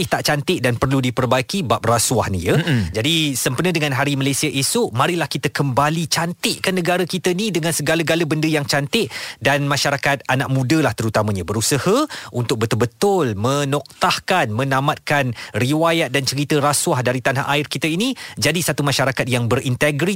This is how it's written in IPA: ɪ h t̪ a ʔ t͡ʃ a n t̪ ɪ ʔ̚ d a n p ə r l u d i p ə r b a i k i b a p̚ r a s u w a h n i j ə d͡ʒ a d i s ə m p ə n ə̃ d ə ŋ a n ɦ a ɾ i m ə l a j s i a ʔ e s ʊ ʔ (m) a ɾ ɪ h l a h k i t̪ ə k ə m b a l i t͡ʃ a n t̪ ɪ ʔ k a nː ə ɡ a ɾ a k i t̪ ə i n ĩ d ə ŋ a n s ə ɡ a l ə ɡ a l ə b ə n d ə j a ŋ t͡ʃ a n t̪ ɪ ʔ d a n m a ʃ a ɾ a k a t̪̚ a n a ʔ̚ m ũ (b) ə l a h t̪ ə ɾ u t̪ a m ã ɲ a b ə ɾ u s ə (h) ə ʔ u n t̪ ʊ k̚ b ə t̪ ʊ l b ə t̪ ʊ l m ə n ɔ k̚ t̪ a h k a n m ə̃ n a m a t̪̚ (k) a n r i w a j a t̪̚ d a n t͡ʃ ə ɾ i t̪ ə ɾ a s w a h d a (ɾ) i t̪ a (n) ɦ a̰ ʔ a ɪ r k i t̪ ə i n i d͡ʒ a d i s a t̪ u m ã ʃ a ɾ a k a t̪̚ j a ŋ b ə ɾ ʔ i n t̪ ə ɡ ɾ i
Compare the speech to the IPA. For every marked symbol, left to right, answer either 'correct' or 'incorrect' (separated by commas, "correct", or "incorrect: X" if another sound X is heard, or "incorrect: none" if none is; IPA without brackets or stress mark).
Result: correct, incorrect: d, correct, correct, correct, correct